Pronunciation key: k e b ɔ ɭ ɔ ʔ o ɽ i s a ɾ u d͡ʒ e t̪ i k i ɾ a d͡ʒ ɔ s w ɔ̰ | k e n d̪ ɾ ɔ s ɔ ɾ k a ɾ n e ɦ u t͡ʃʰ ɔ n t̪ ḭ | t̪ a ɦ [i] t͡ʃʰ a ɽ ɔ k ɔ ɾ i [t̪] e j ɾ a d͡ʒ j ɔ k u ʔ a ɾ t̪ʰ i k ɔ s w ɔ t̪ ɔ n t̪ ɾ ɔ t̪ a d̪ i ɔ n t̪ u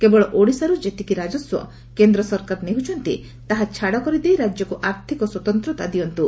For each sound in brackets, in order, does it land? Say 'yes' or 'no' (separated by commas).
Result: no, no